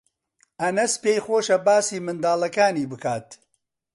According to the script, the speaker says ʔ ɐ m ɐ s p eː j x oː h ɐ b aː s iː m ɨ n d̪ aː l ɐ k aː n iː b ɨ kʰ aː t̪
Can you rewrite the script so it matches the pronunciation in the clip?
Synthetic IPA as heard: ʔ ɐ n ɐ s p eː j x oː ʃ ɐ b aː s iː m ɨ n d̪ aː l ɐ k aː n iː b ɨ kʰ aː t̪